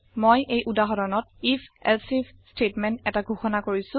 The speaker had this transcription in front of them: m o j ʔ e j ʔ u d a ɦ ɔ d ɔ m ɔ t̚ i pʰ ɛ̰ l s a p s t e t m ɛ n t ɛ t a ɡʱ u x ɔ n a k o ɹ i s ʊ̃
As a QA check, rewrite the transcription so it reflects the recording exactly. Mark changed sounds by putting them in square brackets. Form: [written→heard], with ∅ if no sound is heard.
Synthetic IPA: m o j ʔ e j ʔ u d a ɦ ɔ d ɔ [m→n] ɔ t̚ i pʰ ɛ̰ l s [a→i] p s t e t m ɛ n t ɛ t a ɡʱ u x ɔ n a k o ɹ i s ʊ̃